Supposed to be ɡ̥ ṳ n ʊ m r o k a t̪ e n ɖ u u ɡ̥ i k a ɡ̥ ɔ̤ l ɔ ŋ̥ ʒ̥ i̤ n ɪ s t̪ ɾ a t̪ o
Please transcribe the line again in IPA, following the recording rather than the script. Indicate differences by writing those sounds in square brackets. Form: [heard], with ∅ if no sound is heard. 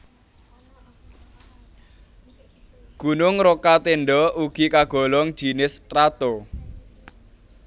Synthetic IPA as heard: ɡ̥ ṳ n ʊ [ŋ] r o k a t̪ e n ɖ [ɔ] u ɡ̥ i k a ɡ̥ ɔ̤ l ɔ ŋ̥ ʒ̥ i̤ n ɪ s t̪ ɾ a t̪ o